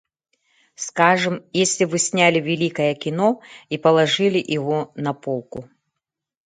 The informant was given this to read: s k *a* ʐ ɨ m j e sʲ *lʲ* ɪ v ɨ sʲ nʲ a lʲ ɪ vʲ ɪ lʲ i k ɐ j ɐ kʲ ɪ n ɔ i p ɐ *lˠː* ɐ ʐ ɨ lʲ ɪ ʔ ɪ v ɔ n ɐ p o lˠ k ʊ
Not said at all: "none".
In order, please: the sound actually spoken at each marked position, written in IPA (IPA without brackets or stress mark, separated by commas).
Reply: a, lʲ, lˠ